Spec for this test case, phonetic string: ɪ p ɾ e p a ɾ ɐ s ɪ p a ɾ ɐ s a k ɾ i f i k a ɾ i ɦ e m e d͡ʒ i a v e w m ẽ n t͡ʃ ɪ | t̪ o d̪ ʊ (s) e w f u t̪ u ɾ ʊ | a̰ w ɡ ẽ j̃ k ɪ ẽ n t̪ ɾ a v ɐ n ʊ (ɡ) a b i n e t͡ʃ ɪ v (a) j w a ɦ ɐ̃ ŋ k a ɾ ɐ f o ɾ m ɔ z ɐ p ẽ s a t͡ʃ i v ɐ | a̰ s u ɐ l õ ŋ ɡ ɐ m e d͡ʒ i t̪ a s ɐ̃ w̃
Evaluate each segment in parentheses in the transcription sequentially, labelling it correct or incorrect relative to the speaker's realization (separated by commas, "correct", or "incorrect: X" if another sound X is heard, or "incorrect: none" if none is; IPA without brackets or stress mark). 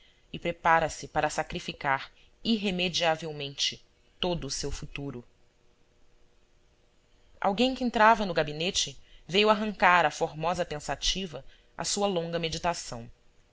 correct, correct, incorrect: e